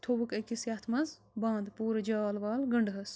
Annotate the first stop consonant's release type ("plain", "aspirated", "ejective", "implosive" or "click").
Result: aspirated